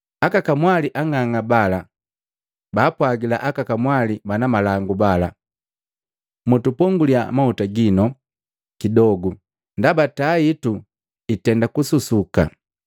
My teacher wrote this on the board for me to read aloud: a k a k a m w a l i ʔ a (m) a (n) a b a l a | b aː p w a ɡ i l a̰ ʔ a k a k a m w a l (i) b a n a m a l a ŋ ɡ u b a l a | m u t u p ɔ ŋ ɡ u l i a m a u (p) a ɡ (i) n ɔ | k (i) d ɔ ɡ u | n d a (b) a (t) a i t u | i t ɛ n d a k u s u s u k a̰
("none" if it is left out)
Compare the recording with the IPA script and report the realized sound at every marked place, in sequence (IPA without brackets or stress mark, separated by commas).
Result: ŋ, ŋ, i, t, i, i, b, t